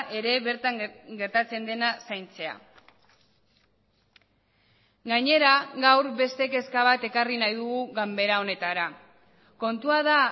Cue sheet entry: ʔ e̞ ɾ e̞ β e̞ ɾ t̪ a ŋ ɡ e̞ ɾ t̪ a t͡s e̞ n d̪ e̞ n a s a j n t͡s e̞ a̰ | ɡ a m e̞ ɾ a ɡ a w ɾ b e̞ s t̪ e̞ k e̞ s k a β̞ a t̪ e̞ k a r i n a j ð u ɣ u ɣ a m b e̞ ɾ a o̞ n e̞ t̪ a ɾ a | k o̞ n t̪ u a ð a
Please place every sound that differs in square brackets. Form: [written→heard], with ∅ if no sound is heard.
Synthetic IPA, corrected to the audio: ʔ e̞ ɾ e̞ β e̞ ɾ t̪ a ŋ ɡ e̞ ɾ t̪ a t͡s e̞ n d̪ e̞ n a s a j n t͡s e̞ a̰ | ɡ a [m→ɲ] e̞ ɾ a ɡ a w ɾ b e̞ s t̪ e̞ k e̞ s k a β̞ a t̪ e̞ k a r i n a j ð u ɣ u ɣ a m b e̞ ɾ a o̞ n e̞ t̪ a ɾ a | k o̞ n t̪ u a ð a